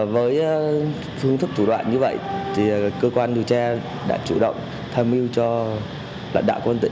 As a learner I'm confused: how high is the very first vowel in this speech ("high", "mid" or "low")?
mid